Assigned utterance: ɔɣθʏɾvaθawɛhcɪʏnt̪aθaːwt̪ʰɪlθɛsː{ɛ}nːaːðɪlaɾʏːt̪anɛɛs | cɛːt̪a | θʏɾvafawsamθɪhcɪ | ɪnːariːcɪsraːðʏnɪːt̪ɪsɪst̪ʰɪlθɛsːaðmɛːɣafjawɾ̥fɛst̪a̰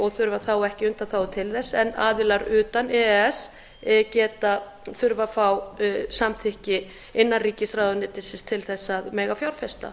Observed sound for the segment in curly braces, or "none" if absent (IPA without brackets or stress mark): ɛ